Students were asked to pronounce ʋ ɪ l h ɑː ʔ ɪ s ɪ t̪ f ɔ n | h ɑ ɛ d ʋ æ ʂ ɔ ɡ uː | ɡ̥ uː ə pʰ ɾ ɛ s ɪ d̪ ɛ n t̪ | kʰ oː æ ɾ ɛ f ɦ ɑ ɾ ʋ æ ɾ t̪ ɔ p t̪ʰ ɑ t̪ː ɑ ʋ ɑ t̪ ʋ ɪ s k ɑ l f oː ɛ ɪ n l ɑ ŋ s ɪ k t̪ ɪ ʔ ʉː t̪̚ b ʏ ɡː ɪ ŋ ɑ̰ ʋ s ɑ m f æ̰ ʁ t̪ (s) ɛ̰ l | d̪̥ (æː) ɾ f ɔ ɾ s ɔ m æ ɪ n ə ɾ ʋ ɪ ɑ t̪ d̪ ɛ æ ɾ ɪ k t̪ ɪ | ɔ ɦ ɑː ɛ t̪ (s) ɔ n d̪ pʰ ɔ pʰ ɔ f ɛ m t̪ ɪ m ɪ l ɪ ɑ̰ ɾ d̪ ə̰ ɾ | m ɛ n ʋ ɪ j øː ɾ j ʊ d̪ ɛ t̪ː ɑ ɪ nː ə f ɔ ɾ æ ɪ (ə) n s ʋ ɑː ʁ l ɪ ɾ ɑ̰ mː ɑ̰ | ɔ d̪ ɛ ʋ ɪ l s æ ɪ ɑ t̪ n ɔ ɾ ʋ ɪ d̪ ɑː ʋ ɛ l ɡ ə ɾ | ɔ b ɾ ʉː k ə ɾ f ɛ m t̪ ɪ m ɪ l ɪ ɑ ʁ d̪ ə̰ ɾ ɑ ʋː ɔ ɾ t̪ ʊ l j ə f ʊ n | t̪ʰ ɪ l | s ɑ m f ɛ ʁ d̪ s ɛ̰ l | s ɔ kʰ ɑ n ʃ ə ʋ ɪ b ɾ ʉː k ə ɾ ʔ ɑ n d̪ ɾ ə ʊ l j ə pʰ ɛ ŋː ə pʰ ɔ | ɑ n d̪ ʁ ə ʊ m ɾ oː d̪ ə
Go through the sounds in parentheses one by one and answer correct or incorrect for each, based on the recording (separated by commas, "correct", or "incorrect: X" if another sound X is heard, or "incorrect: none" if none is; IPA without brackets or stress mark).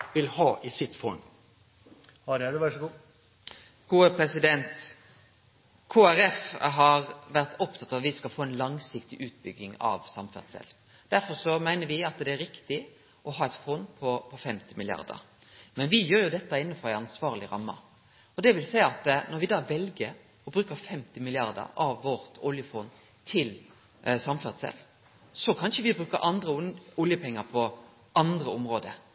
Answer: correct, incorrect: æ, incorrect: f, incorrect: ɑ